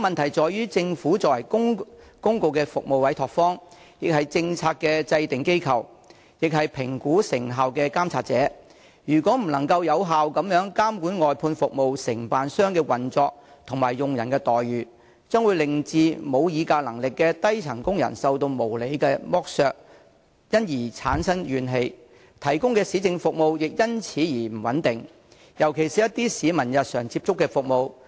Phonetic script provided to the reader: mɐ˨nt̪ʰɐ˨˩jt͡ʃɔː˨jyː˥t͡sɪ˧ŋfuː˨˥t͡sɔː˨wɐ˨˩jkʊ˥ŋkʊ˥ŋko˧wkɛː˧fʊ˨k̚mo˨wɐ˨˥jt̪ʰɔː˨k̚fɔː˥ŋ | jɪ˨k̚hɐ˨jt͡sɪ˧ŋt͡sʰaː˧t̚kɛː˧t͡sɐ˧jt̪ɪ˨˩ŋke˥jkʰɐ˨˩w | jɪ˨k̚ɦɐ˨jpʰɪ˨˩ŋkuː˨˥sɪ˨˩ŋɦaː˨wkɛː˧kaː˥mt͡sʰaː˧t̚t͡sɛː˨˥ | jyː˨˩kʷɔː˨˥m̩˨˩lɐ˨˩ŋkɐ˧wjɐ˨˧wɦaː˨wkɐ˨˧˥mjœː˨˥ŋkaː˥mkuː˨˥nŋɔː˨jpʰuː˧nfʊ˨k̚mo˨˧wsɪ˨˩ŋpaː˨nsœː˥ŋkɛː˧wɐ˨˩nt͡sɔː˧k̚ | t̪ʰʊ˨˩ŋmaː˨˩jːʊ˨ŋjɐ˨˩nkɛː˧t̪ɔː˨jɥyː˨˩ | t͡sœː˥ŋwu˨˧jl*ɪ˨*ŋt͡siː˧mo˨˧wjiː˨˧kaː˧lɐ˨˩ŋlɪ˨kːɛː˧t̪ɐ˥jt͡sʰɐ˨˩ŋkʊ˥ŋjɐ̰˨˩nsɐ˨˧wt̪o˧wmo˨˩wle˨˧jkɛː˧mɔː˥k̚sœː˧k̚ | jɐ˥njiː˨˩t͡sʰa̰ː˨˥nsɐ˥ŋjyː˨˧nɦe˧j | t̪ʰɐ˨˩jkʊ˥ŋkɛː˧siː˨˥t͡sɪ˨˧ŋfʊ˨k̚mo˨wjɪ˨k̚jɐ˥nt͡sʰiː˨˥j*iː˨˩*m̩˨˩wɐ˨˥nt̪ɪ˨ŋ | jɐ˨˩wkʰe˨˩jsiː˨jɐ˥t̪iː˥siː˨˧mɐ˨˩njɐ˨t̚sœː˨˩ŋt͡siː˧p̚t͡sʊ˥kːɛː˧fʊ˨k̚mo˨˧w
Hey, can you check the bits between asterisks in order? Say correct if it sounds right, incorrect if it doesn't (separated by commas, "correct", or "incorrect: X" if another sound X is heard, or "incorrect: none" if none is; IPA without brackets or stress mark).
correct, correct